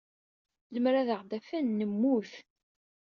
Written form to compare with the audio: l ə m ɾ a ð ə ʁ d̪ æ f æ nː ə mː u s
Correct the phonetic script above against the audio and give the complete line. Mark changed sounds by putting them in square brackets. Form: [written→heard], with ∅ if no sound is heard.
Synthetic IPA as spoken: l ə m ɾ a ð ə ʁ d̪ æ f æ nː ə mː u [s→θ]